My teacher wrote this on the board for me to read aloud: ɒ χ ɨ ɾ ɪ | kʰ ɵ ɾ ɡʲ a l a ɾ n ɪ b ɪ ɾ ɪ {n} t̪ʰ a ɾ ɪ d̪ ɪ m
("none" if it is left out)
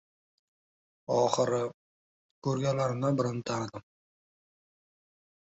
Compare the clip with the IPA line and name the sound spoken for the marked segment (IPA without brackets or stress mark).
n